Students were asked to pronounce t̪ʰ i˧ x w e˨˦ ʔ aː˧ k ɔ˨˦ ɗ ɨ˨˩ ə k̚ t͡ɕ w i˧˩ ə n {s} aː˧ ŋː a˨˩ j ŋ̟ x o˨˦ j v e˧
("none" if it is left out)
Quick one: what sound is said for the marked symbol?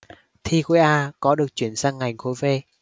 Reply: s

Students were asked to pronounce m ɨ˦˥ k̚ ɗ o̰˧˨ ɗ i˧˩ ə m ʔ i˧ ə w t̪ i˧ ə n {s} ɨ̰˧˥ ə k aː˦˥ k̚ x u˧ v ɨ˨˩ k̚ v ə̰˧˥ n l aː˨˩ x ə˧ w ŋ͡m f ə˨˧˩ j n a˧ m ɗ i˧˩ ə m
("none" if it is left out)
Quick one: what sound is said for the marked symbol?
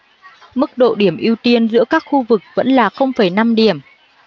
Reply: z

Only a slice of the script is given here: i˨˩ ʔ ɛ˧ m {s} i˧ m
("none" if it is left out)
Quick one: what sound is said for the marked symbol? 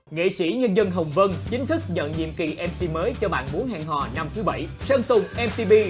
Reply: s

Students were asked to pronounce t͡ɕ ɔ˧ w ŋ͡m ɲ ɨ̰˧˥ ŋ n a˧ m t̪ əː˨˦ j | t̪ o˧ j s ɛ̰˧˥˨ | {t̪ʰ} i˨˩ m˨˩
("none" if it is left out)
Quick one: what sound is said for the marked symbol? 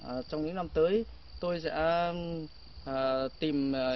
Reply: t̪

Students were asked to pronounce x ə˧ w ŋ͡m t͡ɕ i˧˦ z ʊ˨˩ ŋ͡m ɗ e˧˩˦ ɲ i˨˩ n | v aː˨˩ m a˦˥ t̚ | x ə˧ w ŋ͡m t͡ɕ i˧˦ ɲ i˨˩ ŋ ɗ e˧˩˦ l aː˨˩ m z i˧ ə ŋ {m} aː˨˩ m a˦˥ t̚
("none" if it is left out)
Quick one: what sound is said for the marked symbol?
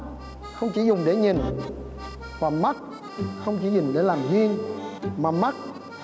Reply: m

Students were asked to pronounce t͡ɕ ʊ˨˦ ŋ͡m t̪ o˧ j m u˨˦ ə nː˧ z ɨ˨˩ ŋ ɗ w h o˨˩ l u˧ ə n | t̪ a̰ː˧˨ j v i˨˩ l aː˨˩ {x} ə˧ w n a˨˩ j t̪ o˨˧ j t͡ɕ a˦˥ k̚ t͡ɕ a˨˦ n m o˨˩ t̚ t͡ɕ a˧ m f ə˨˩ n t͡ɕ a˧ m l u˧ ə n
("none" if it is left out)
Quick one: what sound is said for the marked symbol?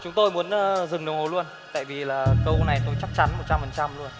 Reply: k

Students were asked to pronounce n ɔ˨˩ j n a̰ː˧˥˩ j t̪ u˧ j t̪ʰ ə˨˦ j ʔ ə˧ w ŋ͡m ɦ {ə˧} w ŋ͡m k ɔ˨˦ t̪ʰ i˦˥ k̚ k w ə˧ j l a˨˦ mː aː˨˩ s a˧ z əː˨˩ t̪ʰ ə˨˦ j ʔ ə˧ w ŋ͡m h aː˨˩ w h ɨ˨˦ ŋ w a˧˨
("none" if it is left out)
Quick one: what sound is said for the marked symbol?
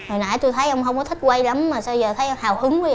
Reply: ə˧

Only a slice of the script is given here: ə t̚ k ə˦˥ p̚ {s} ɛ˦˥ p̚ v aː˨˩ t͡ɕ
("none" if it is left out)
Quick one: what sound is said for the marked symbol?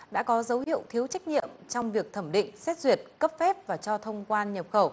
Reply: f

